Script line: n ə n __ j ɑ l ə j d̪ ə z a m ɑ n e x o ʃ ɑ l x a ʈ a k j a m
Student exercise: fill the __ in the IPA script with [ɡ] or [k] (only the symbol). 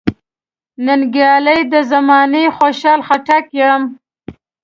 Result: ɡ